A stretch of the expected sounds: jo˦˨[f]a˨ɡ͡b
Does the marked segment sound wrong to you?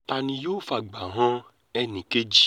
no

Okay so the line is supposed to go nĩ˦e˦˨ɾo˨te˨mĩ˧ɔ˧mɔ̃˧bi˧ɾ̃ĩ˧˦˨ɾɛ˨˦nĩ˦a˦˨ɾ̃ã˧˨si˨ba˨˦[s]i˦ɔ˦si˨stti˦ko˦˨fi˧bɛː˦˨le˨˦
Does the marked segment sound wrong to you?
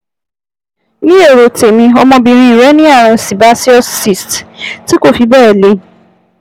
no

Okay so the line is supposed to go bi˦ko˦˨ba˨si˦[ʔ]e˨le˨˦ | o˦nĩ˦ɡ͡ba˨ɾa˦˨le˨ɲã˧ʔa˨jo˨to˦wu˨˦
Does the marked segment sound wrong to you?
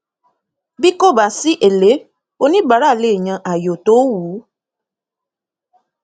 no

